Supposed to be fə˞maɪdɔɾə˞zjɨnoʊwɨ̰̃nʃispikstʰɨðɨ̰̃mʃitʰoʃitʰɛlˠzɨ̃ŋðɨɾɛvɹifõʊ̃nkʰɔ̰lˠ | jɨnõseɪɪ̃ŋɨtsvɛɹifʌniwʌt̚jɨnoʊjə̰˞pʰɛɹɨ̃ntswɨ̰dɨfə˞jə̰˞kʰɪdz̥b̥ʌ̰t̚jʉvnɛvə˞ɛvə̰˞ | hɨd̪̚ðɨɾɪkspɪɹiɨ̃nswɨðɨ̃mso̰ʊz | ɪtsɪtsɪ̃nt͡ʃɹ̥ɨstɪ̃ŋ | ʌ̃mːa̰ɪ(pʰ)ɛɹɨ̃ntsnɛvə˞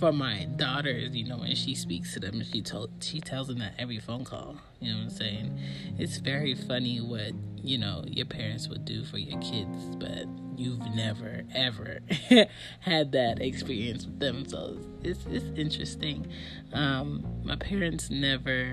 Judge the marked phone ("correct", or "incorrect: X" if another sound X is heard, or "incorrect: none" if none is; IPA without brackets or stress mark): correct